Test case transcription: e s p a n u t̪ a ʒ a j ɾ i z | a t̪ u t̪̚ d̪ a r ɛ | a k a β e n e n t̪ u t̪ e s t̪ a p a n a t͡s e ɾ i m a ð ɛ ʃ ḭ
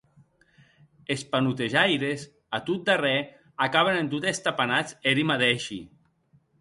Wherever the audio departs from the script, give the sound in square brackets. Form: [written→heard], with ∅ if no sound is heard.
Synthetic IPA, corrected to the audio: e s p a n u t̪ [a→e] ʒ a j ɾ [i→e] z | a t̪ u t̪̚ d̪ a r ɛ | a k a β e n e n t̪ u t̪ e s t̪ a p a n a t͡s e ɾ i m a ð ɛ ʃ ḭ